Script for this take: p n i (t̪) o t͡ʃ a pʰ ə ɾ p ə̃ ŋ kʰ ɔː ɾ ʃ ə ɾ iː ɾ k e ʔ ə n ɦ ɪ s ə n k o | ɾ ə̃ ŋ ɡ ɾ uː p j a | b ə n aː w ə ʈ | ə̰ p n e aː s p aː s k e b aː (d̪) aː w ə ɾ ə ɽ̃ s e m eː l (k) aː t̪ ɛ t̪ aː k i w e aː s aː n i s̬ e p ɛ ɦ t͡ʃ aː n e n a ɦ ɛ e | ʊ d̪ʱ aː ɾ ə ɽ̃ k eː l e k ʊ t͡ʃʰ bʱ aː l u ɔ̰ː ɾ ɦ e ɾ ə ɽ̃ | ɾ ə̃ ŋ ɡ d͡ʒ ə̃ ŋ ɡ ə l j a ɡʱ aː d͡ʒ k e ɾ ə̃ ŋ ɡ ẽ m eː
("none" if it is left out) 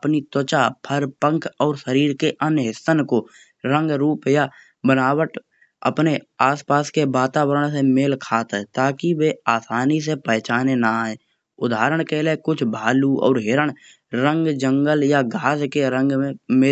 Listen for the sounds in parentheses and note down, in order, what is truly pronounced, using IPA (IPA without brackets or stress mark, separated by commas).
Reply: t̪, t̪, kʰ